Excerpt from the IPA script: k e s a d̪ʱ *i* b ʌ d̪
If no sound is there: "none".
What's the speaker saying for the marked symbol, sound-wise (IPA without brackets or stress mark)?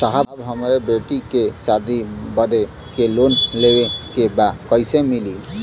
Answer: i